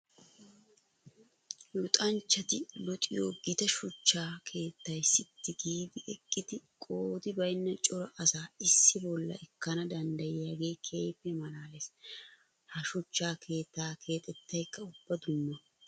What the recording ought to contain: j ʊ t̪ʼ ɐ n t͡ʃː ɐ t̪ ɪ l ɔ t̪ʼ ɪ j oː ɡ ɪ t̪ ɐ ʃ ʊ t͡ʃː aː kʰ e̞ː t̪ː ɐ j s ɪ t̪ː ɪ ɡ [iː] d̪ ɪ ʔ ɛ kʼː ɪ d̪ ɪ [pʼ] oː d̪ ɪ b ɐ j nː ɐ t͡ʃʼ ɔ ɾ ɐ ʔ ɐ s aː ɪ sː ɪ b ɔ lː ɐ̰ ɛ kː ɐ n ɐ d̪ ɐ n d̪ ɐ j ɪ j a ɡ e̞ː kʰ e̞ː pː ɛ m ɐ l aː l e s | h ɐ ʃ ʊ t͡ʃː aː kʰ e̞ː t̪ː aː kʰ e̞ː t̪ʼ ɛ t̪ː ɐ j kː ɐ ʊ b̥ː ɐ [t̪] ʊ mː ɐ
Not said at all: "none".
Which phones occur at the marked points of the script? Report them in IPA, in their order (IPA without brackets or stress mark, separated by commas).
iː, kʼ, d̪